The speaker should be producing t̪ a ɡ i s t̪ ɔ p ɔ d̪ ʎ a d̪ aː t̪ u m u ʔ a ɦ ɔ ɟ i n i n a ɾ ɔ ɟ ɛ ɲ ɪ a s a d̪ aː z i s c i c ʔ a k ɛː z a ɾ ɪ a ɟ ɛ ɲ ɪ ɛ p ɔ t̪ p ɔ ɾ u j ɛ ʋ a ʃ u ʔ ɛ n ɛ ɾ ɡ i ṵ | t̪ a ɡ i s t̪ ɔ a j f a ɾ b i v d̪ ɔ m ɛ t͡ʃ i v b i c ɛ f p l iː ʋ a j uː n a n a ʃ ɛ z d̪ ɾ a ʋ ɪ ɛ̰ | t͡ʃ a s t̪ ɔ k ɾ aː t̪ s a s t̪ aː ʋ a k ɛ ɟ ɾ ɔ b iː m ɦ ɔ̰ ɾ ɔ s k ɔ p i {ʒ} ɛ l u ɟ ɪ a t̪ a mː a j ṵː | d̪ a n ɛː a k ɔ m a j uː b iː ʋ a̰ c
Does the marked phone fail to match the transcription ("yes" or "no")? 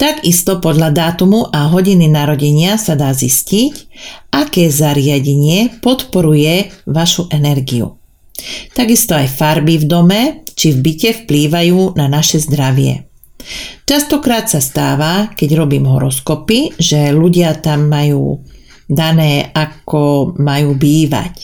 no